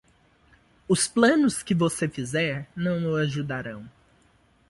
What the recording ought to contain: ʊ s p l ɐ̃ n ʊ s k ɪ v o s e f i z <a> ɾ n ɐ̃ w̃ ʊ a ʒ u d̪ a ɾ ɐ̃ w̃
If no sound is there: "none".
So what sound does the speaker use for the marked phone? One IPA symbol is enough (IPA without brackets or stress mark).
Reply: ɛ